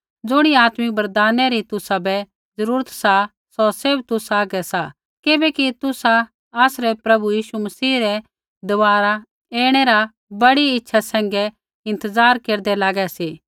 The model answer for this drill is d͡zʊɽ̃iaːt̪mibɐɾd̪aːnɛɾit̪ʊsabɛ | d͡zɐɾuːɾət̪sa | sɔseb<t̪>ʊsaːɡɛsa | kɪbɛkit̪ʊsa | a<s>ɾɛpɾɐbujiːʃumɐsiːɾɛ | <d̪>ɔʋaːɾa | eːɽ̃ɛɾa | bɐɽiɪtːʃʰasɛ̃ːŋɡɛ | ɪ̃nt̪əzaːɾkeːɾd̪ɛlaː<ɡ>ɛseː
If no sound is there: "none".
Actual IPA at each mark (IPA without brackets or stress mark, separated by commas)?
t̪, s, d̪, ɡ